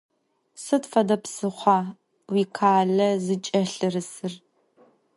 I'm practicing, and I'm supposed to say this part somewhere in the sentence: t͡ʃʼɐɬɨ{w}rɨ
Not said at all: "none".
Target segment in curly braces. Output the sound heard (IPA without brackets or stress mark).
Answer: none